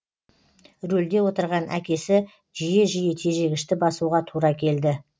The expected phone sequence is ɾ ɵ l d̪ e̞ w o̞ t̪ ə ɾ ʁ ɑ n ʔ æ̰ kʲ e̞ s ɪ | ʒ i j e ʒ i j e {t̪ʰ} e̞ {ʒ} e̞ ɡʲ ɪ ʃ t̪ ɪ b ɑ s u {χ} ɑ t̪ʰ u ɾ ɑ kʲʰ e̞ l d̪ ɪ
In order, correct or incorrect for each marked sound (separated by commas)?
correct, correct, incorrect